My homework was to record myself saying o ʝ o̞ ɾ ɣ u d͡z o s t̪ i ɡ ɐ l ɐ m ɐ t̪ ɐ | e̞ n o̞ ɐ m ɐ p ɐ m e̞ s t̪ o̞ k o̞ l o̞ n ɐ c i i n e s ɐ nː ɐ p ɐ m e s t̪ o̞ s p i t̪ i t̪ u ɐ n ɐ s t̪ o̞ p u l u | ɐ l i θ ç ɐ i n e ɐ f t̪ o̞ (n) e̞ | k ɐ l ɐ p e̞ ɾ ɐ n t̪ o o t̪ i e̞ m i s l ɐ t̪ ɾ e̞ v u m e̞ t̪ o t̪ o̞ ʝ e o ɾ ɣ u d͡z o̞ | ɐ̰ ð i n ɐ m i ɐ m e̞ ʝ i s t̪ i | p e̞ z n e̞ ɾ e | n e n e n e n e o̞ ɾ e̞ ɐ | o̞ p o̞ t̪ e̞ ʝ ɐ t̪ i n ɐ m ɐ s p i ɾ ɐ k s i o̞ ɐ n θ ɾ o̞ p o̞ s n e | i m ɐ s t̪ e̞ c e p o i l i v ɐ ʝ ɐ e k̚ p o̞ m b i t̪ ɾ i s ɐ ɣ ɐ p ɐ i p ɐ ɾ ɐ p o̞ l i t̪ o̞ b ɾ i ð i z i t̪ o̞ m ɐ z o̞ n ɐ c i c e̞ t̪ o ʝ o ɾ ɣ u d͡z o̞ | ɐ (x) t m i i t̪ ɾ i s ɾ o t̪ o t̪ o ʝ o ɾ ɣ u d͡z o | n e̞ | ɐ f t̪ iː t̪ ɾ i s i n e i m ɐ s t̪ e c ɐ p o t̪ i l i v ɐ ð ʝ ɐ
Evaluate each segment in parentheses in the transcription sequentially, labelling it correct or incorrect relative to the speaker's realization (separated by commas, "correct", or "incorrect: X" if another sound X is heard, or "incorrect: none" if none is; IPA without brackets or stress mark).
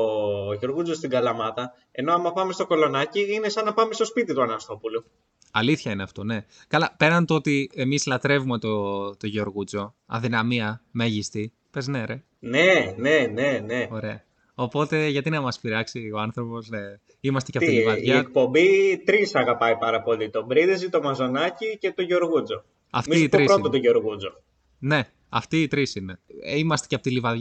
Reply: correct, incorrect: f